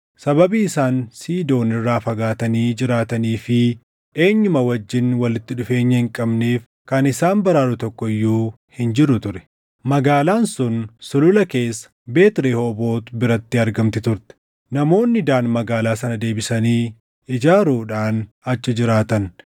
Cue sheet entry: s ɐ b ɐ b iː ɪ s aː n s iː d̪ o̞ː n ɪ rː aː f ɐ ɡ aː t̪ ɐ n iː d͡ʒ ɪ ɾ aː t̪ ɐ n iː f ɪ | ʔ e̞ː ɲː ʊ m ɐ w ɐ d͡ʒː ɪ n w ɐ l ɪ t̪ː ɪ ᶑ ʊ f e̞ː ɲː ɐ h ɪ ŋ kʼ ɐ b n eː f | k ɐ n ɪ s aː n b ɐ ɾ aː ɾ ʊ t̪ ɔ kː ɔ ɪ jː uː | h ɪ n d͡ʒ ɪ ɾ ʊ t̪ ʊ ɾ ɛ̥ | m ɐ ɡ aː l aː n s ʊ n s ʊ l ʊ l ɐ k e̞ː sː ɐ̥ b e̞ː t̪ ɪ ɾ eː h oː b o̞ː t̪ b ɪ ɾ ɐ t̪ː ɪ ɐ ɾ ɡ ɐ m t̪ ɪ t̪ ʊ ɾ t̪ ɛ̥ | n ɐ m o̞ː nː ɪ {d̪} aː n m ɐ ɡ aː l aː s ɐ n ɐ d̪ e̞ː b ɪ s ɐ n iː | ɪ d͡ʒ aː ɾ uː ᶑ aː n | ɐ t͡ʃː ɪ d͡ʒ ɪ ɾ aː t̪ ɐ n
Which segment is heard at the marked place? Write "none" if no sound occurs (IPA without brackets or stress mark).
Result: d̪